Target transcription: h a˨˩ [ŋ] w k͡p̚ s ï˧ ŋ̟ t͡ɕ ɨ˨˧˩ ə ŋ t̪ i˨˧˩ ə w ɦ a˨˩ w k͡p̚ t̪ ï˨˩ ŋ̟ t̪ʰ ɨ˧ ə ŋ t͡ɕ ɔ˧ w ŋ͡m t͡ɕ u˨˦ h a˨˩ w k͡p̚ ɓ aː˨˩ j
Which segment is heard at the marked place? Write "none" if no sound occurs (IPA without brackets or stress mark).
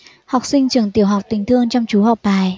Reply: none